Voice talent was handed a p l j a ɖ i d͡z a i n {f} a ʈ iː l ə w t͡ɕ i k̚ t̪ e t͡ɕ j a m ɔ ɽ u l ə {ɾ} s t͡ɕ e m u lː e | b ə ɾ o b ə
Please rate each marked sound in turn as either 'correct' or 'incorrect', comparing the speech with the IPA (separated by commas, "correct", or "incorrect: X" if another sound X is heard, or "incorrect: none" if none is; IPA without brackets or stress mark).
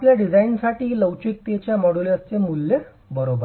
incorrect: s, incorrect: none